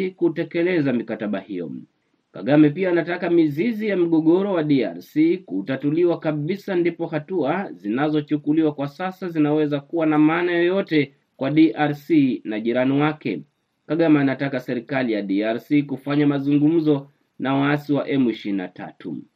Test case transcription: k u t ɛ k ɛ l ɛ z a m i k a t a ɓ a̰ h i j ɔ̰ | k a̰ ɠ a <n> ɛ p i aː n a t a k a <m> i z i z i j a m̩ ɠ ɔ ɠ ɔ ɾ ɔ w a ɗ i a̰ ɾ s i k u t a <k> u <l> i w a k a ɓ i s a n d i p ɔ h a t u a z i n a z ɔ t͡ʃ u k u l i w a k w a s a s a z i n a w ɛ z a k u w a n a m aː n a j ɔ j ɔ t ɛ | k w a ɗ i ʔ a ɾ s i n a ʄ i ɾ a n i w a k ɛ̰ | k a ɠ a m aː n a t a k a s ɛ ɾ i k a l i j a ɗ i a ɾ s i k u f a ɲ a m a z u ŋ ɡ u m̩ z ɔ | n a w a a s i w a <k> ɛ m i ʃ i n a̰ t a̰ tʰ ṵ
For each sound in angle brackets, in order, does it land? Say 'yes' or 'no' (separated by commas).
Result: no, yes, no, yes, no